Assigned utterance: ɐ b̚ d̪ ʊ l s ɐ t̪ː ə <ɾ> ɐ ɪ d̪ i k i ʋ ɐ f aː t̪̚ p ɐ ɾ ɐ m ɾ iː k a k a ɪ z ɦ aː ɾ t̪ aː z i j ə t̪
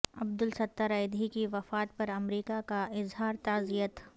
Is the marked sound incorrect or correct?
correct